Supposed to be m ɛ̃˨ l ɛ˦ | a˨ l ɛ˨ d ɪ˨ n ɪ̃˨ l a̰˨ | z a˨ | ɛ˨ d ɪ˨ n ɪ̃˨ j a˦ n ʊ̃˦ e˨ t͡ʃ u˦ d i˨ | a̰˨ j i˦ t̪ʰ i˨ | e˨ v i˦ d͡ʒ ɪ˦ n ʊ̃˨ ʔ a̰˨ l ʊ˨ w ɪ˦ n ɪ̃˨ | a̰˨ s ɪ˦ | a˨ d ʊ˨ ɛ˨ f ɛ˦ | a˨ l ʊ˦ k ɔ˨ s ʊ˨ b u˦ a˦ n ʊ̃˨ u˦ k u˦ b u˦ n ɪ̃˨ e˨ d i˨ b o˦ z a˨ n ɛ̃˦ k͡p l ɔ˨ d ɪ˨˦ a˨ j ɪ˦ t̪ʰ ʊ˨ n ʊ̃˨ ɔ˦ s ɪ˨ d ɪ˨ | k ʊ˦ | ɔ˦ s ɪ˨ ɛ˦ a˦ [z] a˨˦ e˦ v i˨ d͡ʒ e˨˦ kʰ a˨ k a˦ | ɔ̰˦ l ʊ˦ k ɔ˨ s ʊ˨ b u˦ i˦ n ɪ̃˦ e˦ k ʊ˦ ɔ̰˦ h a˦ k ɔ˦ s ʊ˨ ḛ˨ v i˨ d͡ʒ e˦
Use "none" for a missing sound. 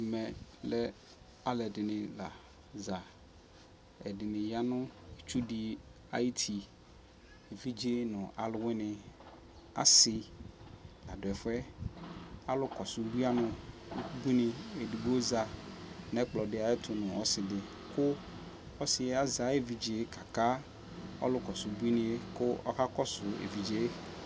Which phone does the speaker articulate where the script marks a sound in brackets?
z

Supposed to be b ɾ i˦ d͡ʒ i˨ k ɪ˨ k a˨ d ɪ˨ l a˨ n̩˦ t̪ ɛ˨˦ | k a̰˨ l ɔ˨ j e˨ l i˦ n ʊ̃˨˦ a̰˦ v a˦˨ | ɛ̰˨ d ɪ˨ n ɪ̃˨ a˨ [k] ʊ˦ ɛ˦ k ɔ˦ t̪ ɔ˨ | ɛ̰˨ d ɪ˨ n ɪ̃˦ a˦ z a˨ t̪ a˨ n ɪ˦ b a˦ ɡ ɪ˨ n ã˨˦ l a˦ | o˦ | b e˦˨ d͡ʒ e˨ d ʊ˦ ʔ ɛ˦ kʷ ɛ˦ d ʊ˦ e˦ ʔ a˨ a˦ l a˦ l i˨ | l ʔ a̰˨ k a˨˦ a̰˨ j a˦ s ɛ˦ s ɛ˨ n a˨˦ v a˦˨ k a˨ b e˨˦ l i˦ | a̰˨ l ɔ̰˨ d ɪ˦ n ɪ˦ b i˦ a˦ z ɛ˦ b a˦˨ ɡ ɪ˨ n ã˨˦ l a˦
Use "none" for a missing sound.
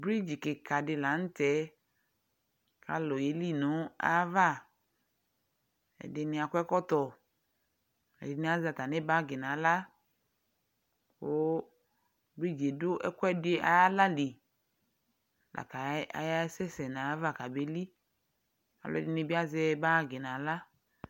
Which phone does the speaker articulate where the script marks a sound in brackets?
k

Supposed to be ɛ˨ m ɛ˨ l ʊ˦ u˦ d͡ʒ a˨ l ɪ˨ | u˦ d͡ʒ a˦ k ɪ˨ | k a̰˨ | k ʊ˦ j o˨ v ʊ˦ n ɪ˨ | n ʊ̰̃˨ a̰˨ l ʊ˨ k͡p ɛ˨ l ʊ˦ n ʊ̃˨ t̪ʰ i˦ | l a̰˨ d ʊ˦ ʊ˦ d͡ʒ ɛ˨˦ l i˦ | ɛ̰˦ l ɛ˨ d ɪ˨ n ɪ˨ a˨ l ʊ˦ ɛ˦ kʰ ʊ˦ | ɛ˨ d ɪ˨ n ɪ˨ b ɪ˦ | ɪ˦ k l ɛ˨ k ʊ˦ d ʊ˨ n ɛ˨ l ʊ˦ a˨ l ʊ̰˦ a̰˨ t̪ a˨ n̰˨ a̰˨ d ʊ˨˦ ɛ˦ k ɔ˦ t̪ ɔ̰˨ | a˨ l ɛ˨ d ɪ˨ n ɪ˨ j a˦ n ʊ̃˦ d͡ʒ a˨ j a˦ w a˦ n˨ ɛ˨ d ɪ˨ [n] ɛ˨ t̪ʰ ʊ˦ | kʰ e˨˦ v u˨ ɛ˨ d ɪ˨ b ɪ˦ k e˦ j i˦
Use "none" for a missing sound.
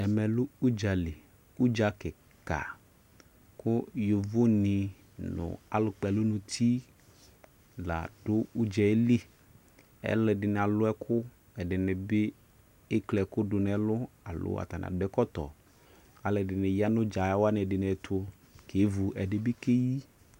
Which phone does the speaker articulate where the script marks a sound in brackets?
n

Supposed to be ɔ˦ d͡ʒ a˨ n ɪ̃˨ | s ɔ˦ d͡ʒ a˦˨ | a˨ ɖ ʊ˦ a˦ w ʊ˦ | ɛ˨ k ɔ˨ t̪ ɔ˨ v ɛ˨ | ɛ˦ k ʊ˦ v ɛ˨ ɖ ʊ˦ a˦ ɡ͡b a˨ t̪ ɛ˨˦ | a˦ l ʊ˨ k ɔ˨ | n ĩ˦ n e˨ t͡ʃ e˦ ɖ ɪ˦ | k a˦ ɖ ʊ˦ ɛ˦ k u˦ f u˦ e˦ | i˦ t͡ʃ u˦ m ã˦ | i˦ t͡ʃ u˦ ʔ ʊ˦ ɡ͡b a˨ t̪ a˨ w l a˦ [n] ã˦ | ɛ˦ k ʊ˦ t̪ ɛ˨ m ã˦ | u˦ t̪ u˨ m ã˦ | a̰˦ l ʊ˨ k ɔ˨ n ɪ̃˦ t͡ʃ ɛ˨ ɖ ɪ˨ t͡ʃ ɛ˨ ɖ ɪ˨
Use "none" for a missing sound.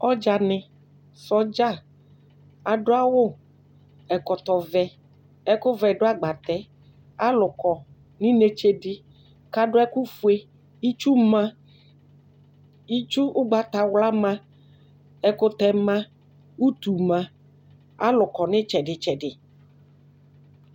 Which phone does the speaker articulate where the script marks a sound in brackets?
m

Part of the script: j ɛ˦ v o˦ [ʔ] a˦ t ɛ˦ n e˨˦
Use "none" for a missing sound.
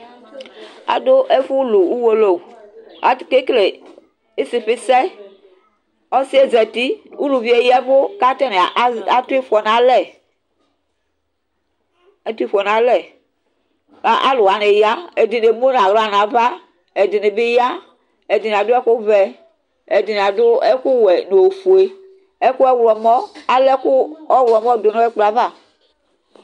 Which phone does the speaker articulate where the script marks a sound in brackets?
k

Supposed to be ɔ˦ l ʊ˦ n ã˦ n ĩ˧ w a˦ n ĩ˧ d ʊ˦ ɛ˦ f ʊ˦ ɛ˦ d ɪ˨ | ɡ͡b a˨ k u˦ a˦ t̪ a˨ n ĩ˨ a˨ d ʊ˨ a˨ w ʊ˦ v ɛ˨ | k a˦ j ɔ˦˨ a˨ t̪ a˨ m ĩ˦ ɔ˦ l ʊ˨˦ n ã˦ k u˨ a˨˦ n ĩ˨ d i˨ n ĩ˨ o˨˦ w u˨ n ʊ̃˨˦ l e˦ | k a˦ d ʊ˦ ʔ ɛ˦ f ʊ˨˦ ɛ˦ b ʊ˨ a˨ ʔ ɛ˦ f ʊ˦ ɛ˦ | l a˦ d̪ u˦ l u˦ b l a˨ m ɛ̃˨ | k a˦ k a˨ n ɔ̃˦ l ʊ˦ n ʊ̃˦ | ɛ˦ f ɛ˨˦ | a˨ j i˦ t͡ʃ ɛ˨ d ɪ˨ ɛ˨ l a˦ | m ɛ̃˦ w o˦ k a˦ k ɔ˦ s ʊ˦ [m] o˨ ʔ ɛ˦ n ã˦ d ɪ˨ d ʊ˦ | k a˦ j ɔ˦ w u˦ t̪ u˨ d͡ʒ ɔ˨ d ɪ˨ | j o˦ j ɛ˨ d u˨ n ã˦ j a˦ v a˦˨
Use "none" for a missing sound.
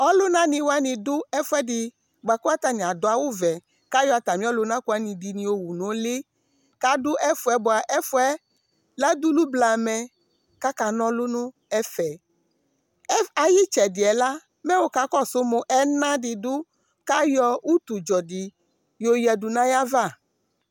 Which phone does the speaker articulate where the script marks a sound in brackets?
m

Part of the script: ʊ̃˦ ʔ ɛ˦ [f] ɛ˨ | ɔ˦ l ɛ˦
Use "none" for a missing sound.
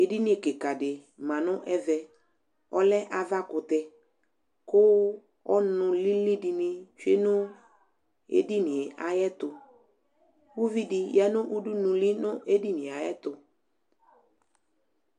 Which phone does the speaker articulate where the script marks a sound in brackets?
v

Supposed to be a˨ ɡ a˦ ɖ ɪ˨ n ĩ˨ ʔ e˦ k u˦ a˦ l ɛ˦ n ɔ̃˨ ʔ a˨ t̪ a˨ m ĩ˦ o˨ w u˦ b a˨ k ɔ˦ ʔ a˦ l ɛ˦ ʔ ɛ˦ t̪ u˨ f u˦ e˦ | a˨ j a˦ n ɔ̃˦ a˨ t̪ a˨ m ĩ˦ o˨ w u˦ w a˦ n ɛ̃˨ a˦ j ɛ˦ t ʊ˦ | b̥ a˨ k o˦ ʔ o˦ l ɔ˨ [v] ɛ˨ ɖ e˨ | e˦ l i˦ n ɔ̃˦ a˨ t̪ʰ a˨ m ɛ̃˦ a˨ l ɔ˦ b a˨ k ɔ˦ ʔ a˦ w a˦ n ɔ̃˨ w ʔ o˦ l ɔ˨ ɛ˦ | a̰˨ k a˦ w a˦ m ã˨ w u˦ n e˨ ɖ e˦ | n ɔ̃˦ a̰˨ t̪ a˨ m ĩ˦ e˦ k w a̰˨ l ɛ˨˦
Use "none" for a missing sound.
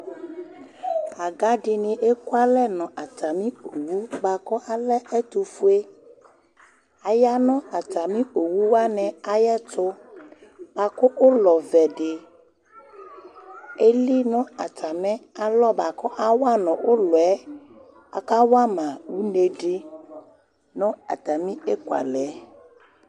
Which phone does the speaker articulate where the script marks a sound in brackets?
v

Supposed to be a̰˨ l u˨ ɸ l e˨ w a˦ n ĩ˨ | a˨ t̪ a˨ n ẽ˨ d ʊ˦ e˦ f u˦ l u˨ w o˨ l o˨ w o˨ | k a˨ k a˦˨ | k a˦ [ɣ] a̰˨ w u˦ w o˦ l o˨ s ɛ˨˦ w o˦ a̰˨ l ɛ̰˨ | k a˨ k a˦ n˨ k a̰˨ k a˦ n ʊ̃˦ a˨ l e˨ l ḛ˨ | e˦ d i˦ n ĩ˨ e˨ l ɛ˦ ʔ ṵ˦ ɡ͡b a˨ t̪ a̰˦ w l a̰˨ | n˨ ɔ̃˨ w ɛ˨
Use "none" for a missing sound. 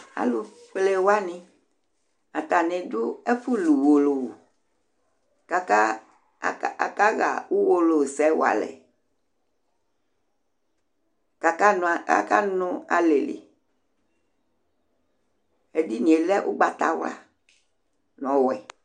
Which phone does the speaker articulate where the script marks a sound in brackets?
ɣ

